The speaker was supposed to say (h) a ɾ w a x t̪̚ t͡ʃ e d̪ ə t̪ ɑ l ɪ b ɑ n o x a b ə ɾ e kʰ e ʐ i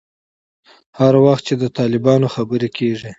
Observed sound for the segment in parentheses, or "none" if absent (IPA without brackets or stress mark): h